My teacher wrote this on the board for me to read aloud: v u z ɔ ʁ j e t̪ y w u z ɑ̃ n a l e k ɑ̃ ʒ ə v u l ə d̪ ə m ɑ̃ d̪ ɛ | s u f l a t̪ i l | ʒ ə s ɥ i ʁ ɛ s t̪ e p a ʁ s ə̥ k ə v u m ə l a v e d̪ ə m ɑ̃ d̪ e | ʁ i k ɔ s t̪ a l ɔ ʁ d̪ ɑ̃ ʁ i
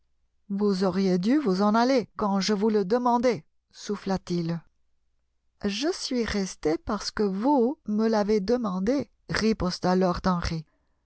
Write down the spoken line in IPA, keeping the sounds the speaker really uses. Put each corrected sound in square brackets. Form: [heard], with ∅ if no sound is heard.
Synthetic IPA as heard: v u z ɔ ʁ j e [d̪] y [v] u z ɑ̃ n a l e k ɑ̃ ʒ ə v u l ə d̪ ə m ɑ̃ d̪ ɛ | s u f l a t̪ i l | ʒ ə s ɥ i ʁ ɛ s t̪ e p a ʁ s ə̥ k ə v u m ə l a v e d̪ ə m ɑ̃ d̪ e | ʁ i [p] ɔ s t̪ a l ɔ ʁ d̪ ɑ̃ ʁ i